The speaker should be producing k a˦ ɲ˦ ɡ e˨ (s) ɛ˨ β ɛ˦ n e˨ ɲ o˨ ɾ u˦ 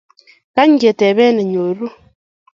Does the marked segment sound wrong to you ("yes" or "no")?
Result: yes